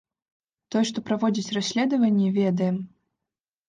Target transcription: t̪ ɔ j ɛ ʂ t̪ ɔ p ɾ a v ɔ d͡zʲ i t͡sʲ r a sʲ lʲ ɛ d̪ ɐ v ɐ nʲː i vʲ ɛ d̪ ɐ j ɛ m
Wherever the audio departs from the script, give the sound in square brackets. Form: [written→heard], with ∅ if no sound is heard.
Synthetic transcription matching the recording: t̪ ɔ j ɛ ʂ t̪ ɔ p ɾ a v ɔ d͡zʲ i t͡sʲ r a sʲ lʲ ɛ d̪ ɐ v ɐ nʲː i vʲ ɛ d̪ ɐ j ɛ m